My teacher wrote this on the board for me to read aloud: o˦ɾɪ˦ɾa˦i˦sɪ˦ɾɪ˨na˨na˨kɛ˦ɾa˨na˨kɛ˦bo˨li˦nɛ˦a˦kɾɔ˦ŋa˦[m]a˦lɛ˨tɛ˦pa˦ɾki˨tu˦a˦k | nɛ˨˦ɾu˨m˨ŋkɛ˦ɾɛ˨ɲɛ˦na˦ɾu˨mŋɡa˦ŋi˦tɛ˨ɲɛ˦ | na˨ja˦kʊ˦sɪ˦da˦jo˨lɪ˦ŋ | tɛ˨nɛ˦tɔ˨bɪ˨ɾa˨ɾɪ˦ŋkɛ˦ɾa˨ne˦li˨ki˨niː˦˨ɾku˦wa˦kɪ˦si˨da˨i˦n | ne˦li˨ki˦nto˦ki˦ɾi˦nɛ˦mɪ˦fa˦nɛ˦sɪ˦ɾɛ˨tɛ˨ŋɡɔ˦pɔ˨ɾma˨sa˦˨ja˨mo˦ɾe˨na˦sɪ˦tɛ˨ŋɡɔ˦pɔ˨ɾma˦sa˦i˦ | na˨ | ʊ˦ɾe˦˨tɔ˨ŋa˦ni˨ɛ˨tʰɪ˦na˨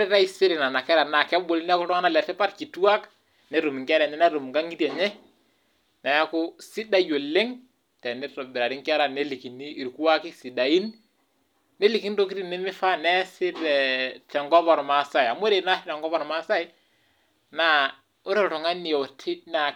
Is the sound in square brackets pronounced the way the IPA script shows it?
no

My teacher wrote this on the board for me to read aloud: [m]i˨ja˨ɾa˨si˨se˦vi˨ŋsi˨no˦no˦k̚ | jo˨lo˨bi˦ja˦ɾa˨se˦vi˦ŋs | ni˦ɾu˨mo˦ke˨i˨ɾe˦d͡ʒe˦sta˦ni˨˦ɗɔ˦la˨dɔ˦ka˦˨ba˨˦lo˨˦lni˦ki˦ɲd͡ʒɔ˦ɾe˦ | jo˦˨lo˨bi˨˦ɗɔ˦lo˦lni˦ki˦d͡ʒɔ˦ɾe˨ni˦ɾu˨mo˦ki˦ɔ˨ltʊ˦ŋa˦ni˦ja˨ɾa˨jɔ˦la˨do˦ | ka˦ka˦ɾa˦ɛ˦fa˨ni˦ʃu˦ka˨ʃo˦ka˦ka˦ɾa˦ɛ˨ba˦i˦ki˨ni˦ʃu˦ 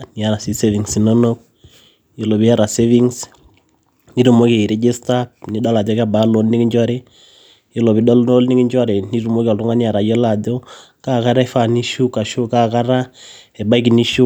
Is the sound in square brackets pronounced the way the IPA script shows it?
no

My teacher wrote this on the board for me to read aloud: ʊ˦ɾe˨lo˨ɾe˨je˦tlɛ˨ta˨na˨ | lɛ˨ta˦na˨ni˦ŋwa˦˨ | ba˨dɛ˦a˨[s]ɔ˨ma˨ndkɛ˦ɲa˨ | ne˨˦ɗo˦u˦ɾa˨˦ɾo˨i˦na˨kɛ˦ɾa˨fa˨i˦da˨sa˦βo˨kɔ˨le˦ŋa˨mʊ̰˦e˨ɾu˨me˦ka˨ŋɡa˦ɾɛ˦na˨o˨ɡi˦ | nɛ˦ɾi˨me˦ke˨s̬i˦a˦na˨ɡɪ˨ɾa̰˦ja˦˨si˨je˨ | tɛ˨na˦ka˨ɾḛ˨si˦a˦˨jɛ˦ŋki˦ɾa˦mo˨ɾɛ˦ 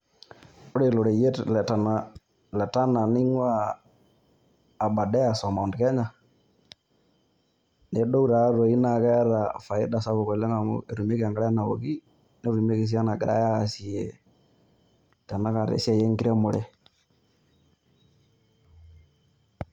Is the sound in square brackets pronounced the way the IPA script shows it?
yes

